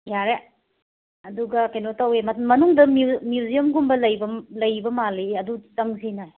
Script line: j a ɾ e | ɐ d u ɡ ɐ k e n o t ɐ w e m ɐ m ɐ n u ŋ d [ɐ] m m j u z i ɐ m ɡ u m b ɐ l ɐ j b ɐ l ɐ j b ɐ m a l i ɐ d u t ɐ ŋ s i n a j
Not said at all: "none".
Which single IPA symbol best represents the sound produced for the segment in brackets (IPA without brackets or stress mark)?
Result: ɐ